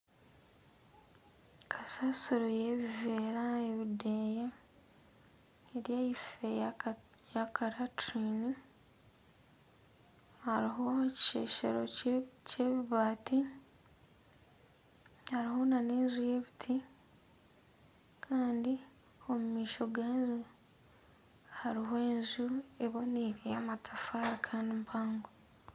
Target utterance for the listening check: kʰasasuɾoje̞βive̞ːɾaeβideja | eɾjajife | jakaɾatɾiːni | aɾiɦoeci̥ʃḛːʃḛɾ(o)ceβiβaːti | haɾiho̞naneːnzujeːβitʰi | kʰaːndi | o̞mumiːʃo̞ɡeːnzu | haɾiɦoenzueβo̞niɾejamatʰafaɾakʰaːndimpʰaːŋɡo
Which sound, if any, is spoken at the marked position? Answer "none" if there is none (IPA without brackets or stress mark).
o